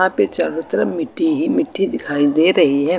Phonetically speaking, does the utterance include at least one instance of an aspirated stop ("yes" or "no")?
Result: yes